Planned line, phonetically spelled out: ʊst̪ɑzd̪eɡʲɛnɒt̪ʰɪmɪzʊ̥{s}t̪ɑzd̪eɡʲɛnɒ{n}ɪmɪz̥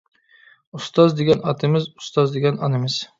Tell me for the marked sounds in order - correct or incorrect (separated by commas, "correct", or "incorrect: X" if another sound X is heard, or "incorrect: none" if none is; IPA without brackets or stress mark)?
correct, correct